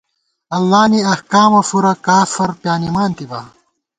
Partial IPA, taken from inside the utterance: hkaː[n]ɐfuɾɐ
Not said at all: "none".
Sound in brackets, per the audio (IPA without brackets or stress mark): m